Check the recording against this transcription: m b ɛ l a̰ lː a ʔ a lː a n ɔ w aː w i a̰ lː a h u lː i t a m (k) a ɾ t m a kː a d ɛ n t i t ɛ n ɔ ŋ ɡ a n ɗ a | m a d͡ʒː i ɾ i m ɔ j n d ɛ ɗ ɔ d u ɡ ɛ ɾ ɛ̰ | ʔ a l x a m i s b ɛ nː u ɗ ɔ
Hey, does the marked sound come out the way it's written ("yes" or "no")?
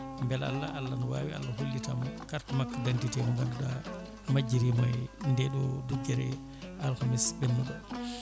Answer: yes